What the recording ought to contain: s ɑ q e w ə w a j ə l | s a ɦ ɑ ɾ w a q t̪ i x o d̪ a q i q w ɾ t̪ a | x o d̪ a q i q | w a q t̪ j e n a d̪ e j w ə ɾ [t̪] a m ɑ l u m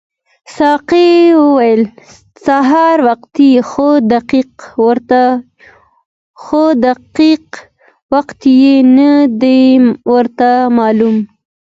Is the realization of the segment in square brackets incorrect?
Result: no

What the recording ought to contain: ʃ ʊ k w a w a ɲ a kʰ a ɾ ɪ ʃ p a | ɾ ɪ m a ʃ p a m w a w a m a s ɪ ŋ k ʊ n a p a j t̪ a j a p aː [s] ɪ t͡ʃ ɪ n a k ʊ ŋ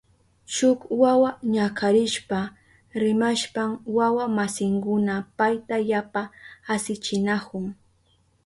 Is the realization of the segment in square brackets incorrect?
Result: no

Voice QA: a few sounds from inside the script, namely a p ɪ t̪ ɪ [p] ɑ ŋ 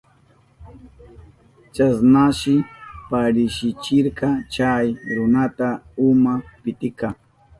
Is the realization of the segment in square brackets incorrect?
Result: yes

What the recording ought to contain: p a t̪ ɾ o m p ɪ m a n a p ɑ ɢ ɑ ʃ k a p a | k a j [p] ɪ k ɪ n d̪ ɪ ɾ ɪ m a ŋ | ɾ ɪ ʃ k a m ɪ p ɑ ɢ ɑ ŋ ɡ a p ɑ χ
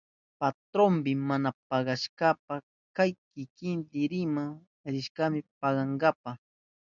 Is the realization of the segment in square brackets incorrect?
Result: yes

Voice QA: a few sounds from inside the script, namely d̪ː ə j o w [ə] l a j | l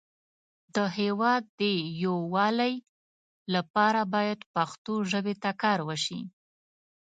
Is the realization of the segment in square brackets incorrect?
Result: yes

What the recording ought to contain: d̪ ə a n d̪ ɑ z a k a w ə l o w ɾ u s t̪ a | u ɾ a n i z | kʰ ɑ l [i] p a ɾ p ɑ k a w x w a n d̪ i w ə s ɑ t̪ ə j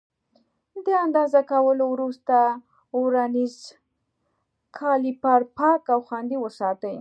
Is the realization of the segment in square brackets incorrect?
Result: no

